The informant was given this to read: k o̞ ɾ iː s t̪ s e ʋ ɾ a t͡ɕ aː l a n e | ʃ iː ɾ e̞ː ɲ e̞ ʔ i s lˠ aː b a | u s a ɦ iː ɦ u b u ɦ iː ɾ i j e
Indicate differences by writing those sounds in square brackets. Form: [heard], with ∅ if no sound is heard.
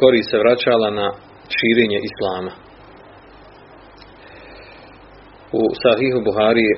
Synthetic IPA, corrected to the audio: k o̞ ɾ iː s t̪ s e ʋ ɾ a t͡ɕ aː l a n [a] | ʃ iː ɾ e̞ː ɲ e̞ ʔ i s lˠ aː [m] a | u s a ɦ iː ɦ u b u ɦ [aː] ɾ i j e